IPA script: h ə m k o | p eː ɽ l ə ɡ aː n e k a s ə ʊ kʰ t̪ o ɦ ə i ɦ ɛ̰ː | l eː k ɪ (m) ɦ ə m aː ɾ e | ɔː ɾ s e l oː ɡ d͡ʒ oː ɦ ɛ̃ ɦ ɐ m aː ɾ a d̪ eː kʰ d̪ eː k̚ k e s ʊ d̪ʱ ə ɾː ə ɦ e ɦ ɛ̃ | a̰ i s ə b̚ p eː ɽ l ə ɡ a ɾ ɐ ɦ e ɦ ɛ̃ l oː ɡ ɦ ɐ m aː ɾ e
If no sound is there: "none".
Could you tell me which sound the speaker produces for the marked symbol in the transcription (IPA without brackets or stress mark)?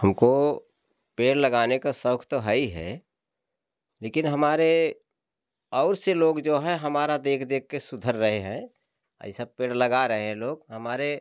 n